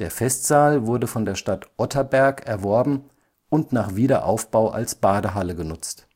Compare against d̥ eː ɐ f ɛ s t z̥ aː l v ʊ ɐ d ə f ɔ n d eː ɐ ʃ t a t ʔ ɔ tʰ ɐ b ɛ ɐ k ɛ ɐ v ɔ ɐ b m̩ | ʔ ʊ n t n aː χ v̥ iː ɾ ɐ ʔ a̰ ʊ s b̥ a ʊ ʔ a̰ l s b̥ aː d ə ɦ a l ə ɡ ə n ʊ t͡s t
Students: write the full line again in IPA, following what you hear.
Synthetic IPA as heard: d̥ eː ɐ f ɛ s t z̥ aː l v ʊ ɐ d ə f ɔ n d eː ɐ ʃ t a t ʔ ɔ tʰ ɐ b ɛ ɐ k ɛ ɐ v ɔ ɐ b m̩ | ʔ ʊ n t n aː χ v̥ iː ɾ ɐ ʔ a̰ ʊ f b̥ a ʊ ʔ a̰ l s b̥ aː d ə ɦ a l ə ɡ ə n ʊ t͡s t